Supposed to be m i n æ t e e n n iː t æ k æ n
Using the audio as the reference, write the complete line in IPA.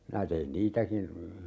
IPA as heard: m i n æ t e i n n iː t æ k i n

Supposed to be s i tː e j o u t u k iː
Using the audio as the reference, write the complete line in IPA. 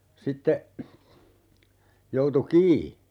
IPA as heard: s i tː e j o u t u k iː

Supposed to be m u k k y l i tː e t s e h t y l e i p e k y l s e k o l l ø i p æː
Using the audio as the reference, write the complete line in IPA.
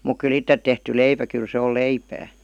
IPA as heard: m u k k y l i tː e t t e h t y l e i p æ k y l s e o l l e i p æː

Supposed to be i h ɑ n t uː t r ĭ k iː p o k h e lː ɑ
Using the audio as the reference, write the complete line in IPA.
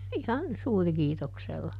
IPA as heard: i h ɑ n s uː r ĭ k iː t o k s e lː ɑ

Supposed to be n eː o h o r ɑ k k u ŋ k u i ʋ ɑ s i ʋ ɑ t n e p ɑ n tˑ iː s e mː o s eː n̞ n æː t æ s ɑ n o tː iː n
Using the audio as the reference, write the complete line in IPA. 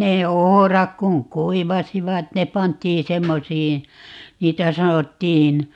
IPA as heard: n eː o h o r ɑ k k u ŋ k u i ʋ ɑ s i ʋ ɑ t n e p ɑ n tˑ iː s e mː o s iː n̞ n iː t æ s ɑ n o tː iː n

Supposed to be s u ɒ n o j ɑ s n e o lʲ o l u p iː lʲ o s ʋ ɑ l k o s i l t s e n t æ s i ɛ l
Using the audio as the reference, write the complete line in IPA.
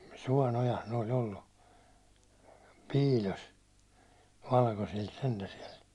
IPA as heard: s u ɒ n o j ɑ s n e o lʲ o lː u p iː lʲ o s ʋ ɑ l k o s i l t s e n t æ s i ɛ l

